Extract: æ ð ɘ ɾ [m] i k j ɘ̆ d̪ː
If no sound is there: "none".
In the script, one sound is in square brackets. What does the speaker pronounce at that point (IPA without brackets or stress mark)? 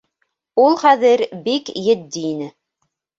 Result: b